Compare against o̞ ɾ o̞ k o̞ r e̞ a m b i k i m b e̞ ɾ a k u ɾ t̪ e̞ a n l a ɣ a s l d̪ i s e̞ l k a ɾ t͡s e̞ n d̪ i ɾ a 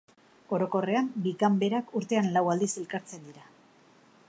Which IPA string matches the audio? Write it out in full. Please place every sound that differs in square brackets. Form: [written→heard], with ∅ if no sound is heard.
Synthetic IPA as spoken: o̞ ɾ o̞ k o̞ r e̞ a m b i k [i→a] m b e̞ ɾ a k u ɾ t̪ e̞ a n l a [ɣ→w] a [s→∅] l d̪ i s e̞ l k a ɾ t͡s e̞ n d̪ i ɾ a